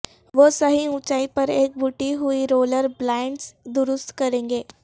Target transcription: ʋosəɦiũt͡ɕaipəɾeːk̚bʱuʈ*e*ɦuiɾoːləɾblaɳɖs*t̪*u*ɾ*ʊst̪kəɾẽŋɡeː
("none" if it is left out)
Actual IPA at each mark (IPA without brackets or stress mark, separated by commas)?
i, d̪, ɾ